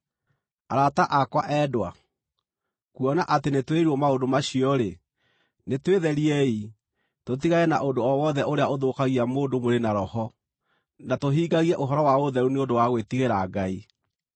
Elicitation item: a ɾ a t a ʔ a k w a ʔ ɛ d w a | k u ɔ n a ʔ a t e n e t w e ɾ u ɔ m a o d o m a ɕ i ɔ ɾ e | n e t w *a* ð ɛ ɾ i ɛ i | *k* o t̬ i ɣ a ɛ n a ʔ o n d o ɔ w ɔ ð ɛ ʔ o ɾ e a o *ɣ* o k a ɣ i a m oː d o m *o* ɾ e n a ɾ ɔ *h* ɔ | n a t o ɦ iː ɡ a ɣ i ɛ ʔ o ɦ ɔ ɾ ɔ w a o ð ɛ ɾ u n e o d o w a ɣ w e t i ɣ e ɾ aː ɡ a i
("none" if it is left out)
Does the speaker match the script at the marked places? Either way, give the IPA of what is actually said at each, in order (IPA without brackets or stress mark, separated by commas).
e, t, ð, o, h